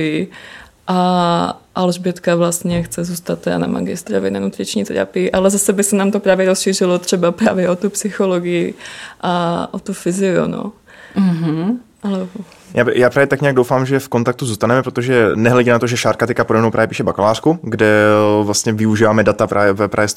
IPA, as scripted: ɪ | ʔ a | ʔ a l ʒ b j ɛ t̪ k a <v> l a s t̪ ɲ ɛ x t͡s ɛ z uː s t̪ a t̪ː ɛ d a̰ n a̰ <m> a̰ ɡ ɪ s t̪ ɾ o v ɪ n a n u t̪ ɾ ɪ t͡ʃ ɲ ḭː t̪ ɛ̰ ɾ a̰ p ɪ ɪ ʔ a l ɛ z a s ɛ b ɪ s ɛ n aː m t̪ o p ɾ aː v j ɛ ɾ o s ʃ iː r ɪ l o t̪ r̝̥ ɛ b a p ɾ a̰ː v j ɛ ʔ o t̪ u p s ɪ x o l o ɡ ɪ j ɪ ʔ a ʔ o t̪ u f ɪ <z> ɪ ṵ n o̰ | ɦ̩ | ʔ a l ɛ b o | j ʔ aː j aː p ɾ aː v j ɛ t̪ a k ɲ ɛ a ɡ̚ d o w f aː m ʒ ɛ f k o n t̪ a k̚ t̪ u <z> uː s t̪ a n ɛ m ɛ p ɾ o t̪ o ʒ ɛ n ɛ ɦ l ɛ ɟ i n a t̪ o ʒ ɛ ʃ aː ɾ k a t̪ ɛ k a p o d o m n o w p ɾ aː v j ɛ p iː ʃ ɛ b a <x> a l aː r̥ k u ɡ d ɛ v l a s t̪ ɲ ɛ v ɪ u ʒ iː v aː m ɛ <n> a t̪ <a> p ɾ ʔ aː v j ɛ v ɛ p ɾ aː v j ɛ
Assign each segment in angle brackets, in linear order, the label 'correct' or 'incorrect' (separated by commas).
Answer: correct, correct, correct, correct, incorrect, incorrect, correct